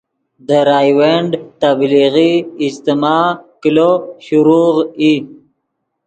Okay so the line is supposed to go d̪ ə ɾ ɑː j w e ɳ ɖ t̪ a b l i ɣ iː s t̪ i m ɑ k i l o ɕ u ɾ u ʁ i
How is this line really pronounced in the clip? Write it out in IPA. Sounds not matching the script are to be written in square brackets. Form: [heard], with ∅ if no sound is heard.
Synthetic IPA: d̪ ə ɾ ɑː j w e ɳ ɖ t̪ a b l i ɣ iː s t̪ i m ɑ k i l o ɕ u ɾ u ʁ i